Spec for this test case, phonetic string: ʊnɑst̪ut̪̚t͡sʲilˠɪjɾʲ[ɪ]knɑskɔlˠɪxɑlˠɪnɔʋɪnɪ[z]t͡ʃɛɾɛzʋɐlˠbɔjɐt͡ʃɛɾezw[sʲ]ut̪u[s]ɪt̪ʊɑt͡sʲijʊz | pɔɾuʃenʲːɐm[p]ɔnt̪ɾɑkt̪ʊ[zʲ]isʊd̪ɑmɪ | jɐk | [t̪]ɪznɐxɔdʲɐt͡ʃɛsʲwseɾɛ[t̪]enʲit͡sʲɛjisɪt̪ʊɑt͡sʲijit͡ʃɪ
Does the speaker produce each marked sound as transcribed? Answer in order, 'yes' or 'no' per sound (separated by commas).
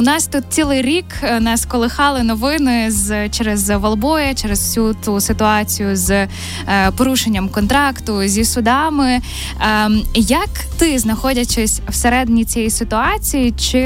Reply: no, yes, yes, yes, no, yes, yes, no